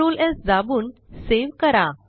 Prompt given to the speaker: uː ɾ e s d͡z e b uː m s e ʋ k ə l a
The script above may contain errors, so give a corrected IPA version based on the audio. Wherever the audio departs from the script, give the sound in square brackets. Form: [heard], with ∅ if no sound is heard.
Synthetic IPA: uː [l] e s d͡z [a] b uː [n] s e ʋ k ə [ɾ] a